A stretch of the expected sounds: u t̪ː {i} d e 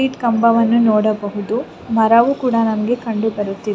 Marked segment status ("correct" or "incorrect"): correct